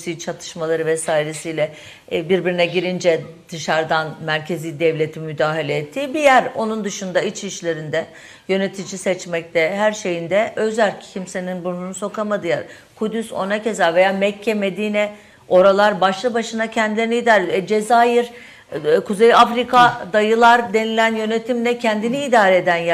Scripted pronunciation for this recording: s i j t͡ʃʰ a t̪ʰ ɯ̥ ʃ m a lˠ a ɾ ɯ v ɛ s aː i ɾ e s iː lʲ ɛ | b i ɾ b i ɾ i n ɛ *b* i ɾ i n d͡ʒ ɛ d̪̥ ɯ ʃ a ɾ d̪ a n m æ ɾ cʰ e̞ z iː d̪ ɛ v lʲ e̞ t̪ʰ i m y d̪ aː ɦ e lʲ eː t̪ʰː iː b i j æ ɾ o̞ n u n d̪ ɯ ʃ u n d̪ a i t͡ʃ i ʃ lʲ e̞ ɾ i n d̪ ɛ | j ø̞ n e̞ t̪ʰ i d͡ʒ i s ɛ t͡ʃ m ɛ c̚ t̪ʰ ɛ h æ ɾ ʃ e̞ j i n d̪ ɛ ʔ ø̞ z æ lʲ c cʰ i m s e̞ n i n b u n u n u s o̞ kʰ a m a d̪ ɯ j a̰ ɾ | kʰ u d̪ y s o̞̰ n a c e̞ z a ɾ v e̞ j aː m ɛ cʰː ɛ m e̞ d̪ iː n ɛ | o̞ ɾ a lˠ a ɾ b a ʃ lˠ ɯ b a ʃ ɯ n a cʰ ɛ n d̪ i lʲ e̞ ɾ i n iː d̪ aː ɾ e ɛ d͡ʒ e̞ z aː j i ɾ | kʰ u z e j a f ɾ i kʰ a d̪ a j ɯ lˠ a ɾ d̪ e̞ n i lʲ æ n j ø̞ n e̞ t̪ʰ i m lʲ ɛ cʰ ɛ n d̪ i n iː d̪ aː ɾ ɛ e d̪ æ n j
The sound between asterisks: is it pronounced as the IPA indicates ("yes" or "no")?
no